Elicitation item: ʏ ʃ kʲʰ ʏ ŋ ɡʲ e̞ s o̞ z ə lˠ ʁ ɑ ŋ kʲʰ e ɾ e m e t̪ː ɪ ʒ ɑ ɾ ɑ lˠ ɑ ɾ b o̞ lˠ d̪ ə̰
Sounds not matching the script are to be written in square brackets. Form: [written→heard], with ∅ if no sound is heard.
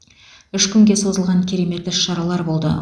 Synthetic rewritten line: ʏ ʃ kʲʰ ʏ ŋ ɡʲ e̞ s o̞ z ə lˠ ʁ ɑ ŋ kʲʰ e ɾ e m e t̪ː ɪ [ʒ→ʃ] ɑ ɾ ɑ lˠ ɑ ɾ b o̞ lˠ d̪ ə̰